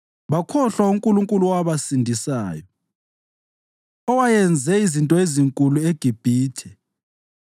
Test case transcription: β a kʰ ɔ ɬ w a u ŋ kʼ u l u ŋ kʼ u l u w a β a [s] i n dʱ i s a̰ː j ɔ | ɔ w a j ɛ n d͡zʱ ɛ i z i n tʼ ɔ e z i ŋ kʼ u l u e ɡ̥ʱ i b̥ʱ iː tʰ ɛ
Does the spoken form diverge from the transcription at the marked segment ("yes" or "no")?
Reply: no